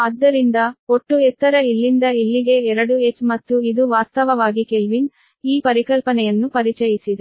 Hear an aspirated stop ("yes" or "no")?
no